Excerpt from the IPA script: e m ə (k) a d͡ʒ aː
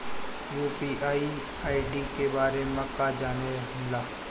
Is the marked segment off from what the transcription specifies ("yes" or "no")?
no